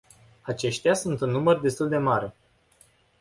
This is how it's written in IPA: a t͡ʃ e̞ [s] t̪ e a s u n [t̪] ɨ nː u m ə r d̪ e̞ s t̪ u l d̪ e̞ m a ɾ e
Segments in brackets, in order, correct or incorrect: incorrect, correct

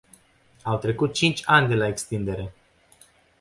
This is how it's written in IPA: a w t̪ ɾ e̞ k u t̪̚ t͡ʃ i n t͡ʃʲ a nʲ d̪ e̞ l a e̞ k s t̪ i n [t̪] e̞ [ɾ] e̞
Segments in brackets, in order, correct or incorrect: incorrect, correct

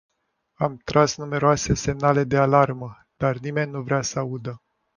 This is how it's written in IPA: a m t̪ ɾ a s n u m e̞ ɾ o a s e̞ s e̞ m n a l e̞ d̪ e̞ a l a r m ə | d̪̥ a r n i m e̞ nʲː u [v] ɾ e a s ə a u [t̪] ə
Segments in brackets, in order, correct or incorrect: correct, incorrect

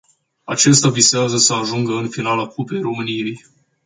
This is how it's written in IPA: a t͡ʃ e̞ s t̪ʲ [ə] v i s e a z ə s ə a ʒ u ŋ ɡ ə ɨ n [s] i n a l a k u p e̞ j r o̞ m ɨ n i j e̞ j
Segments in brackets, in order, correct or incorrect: incorrect, incorrect

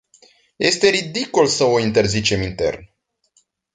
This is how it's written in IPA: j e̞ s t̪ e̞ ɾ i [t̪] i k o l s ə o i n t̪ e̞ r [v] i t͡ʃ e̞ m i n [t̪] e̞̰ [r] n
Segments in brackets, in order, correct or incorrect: incorrect, incorrect, correct, correct

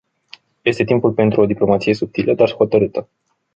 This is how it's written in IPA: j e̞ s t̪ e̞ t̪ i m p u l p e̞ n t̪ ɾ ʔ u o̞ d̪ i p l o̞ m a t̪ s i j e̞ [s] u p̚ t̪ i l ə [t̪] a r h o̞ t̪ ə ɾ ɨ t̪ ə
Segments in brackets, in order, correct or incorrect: correct, incorrect

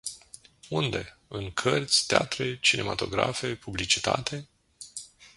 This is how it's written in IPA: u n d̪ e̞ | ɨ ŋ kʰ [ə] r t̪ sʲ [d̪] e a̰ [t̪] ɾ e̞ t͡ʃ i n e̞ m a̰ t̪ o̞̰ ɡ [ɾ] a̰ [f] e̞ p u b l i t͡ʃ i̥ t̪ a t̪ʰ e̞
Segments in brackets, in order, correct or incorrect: correct, incorrect, correct, correct, correct

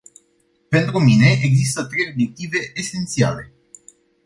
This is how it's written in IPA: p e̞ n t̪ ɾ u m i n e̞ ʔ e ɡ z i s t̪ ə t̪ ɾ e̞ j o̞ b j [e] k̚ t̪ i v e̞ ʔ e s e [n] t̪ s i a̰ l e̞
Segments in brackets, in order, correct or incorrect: correct, correct

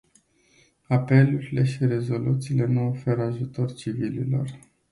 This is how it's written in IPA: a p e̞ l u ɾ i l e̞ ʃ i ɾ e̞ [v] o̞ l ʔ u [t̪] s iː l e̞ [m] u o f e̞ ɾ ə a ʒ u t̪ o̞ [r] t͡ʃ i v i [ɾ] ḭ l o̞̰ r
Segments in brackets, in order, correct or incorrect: incorrect, correct, incorrect, correct, incorrect

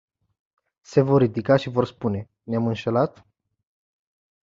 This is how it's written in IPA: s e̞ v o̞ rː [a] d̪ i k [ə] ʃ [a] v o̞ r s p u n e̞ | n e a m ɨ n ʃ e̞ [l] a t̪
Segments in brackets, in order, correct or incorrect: incorrect, incorrect, incorrect, correct

